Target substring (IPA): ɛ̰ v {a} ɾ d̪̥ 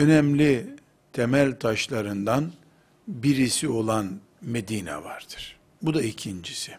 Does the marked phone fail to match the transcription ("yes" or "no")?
no